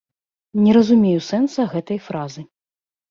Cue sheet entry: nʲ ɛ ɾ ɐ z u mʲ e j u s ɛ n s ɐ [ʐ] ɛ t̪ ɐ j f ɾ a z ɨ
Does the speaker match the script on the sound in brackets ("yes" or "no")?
no